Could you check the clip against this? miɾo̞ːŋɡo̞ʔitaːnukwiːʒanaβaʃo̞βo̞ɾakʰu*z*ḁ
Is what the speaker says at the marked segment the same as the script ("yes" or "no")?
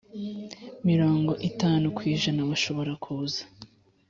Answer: yes